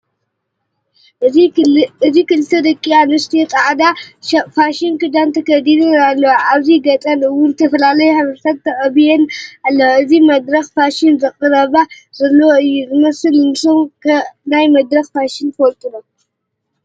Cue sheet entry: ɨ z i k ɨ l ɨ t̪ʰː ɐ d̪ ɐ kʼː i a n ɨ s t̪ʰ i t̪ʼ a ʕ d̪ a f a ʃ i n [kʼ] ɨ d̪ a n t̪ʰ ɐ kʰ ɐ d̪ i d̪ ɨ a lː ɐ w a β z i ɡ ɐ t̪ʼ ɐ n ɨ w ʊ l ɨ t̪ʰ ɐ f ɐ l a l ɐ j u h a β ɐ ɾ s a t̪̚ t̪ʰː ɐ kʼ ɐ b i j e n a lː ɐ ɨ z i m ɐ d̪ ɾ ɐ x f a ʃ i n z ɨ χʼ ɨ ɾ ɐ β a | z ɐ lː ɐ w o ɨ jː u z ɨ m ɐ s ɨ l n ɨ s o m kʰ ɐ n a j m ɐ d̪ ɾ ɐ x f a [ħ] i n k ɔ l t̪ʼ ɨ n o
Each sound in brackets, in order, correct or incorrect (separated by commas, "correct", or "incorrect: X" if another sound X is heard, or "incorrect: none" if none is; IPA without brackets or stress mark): incorrect: k, incorrect: ʃ